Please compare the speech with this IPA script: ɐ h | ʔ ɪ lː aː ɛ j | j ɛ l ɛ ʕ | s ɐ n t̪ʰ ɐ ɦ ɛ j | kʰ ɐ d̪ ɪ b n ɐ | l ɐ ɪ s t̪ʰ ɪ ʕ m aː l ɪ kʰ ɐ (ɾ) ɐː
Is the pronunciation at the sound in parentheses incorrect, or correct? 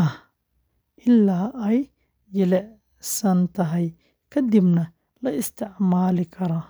correct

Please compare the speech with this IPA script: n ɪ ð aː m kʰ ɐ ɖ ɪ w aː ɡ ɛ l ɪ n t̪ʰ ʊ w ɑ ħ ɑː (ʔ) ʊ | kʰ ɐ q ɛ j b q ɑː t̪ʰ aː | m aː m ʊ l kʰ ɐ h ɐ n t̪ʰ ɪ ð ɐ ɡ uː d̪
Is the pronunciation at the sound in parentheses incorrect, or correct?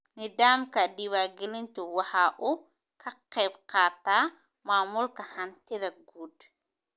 correct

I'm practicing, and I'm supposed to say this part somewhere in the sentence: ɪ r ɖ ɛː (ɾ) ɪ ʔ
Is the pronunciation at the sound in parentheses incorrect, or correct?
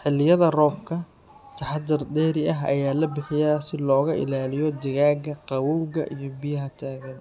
correct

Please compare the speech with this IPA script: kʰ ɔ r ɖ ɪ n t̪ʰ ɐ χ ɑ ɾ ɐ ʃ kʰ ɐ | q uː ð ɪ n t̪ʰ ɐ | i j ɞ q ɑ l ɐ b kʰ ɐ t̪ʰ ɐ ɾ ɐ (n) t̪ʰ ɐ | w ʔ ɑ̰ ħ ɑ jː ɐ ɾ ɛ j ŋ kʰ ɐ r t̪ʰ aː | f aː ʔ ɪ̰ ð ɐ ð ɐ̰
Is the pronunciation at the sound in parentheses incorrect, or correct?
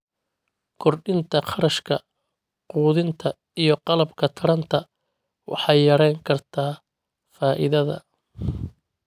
correct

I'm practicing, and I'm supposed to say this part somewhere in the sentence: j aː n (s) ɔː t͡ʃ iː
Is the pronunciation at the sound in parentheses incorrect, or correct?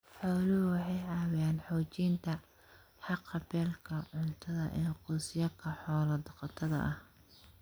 incorrect: ħ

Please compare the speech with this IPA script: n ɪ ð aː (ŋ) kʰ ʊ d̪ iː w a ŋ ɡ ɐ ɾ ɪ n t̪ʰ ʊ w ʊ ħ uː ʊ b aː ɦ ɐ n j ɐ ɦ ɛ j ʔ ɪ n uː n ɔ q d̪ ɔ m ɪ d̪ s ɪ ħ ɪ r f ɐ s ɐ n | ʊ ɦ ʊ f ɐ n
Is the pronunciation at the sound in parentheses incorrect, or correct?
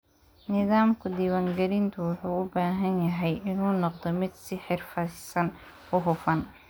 incorrect: m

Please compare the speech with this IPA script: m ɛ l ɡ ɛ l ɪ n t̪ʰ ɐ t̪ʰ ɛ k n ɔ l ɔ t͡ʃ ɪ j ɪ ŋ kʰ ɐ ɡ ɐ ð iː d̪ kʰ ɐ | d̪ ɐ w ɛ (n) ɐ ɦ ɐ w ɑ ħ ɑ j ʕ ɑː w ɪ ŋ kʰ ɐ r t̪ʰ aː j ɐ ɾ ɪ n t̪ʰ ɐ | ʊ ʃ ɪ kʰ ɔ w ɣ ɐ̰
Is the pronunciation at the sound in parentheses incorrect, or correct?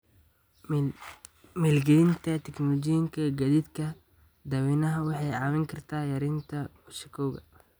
correct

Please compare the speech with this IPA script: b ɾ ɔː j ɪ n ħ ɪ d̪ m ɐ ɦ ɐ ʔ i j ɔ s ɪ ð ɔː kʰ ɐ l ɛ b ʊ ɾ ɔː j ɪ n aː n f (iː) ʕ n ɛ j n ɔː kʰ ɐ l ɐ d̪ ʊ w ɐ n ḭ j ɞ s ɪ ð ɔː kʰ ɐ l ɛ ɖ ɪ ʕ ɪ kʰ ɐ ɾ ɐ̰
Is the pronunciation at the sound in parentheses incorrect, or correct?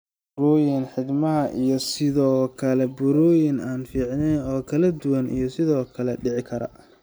correct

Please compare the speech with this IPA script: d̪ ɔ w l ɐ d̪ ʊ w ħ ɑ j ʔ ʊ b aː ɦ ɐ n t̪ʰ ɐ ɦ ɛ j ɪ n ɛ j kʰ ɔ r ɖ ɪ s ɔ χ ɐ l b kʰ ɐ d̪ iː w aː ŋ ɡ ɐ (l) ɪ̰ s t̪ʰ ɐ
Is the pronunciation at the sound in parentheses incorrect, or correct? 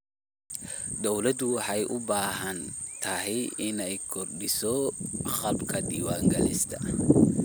correct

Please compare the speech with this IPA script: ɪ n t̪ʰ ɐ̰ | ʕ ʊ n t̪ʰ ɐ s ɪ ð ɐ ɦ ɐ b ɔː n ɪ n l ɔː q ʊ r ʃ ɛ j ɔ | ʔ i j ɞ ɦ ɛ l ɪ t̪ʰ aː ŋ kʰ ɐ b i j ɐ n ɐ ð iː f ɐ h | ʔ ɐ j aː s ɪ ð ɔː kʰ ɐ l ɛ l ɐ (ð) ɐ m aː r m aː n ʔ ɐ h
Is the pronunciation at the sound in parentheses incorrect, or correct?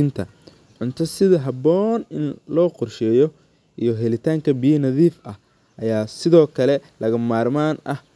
incorrect: ɣ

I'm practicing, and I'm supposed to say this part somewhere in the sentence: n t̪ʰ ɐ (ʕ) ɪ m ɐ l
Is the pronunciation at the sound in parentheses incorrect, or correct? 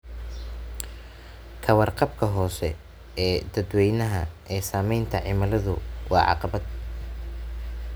correct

